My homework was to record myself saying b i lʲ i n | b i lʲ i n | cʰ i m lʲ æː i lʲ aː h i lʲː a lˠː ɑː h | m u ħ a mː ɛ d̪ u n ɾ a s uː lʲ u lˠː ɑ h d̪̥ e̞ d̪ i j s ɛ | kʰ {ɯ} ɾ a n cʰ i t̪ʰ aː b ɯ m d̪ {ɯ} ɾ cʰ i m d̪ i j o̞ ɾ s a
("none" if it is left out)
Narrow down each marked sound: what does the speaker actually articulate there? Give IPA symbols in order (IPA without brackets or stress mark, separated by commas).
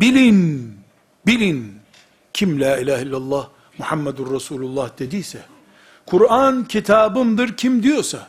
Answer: u, ɯ